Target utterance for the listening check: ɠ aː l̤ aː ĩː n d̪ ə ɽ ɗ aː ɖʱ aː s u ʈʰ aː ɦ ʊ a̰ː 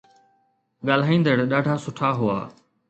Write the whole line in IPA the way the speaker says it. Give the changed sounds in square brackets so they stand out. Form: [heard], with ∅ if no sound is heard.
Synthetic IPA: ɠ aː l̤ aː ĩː n d̪ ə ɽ ɗ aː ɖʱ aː s [ʊ] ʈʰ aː ɦ ʊ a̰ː